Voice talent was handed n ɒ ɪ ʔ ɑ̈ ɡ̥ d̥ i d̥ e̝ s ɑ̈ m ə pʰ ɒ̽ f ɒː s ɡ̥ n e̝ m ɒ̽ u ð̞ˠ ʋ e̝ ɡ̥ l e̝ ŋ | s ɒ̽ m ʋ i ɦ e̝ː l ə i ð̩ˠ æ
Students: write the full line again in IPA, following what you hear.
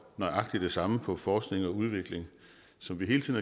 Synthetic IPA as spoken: n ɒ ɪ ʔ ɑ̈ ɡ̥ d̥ i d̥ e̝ s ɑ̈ m ə pʰ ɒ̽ f ɒː s ɡ̥ n e̝ ŋ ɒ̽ u ð̞ˠ ʋ e̝ ɡ̥ l e̝ ŋ | s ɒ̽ m ʋ i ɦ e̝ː l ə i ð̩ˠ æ